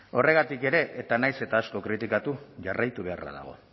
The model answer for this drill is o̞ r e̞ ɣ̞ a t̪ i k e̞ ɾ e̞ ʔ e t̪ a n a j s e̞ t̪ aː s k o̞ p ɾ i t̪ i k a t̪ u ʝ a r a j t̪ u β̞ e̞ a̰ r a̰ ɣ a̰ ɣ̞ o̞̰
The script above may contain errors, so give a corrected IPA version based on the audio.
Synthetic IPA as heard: o̞ r e̞ ɣ̞ a t̪ i k e̞ ɾ e̞ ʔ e t̪ a n a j s e̞ t̪ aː s k o̞ k ɾ i t̪ i k a t̪ u ʝ a r a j t̪ u β̞ e̞ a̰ r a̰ ð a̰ ɣ̞ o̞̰